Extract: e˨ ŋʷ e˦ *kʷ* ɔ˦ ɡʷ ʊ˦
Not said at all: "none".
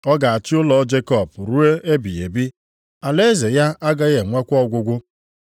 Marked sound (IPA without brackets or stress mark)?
kʷ